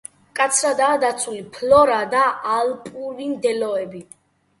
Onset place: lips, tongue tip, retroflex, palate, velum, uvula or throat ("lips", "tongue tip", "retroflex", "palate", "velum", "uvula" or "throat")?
velum